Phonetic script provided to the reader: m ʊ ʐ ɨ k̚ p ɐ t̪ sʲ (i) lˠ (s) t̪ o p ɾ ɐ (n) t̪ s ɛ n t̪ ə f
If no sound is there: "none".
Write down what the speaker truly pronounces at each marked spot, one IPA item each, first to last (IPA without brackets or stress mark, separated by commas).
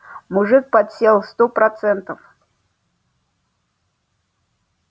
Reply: e, s, none